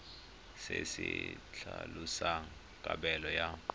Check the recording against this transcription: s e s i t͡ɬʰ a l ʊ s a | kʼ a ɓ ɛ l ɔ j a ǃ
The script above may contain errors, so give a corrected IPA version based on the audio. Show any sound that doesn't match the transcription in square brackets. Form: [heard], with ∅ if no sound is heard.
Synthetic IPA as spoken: s e s i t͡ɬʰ a l [u] s a | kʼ a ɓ ɛ l ɔ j a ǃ